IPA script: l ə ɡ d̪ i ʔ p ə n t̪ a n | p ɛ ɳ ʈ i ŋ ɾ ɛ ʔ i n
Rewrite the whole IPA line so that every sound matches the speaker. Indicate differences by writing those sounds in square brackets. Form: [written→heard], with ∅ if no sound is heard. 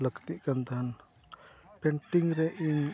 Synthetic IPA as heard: l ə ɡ [d̪→t̪] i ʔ [p→k] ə n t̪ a n | p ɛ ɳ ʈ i ŋ ɾ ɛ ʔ i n